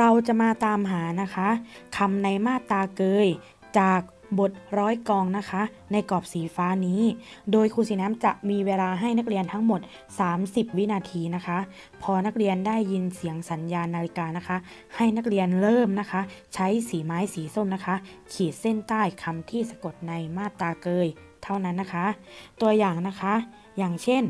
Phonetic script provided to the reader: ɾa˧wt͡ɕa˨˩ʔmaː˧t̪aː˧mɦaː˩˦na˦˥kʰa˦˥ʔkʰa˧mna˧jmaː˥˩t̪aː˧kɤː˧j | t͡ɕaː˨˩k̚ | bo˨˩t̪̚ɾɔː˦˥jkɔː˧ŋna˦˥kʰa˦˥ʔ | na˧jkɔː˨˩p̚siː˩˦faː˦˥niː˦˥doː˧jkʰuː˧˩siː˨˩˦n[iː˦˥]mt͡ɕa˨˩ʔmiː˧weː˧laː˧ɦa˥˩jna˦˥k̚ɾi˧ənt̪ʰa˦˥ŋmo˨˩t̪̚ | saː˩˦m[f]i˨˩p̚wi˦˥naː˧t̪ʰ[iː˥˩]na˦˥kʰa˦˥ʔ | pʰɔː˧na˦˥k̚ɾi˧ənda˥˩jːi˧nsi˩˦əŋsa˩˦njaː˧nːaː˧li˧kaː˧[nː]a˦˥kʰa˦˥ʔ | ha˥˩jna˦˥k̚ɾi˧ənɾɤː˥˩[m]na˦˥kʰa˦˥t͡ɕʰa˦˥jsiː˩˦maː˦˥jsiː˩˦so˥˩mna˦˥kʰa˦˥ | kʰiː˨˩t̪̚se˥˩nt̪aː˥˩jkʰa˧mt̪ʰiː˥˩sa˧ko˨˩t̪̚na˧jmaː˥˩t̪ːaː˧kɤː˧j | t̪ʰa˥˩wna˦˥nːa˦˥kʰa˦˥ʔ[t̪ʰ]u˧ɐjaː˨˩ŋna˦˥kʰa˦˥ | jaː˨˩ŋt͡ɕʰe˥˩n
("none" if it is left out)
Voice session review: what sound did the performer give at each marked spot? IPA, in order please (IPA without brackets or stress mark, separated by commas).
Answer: aː˦˥, s, iː˧, n, m, t̪